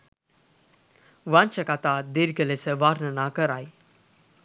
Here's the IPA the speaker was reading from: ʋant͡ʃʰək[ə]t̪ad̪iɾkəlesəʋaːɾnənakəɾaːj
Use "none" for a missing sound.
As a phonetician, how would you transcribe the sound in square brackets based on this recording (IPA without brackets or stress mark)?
a